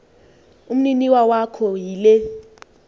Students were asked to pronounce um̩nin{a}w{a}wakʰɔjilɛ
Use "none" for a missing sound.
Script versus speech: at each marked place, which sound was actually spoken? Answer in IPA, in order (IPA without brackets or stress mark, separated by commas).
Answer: i, a